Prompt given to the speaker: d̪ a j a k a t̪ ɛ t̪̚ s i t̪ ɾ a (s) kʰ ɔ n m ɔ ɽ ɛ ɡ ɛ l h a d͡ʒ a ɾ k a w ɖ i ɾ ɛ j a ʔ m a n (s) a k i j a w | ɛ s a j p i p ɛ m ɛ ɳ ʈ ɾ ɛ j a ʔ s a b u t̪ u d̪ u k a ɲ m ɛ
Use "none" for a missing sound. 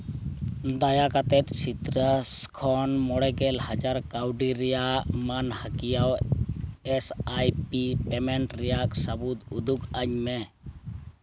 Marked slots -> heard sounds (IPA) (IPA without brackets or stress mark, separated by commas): s, h